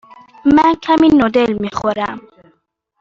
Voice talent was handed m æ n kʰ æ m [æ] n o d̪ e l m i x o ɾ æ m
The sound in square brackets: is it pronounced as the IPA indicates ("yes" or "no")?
no